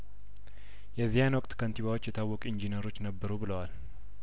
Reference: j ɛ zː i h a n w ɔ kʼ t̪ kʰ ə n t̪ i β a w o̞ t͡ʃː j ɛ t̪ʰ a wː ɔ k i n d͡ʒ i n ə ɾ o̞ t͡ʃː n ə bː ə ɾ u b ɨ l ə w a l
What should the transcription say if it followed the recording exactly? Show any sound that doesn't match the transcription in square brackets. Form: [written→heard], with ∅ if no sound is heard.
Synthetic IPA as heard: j ɛ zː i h a n w ɔ kʼ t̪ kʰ ə n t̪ i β a w o̞ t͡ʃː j ɛ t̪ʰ a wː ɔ [k→kʼ] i n d͡ʒ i n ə ɾ o̞ t͡ʃː n ə bː ə ɾ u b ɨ l ə w a l